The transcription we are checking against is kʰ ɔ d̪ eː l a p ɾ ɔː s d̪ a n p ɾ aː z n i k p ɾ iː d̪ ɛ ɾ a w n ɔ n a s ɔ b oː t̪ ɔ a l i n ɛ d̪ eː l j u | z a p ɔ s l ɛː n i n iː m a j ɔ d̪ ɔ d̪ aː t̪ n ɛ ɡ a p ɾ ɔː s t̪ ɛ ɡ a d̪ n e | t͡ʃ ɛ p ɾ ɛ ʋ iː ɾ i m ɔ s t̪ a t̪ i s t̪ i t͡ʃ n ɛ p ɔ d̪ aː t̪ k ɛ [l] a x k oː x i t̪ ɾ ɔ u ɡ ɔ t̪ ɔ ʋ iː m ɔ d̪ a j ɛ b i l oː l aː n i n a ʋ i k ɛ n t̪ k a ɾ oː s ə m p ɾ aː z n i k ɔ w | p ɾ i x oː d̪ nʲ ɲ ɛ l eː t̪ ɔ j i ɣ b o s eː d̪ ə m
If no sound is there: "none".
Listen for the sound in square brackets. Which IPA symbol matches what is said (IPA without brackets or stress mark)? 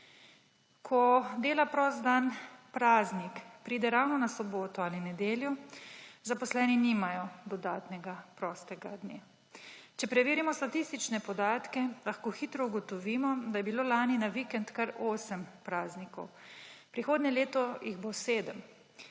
l